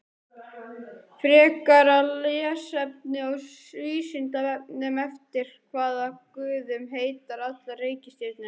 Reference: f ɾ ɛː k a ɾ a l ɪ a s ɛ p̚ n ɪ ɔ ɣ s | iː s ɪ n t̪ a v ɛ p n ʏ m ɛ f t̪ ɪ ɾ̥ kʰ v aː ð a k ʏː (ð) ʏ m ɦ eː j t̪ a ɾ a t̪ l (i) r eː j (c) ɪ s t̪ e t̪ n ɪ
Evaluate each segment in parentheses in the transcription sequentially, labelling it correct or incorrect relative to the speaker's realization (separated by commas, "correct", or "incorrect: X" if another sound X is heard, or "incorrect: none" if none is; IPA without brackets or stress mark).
correct, incorrect: a, correct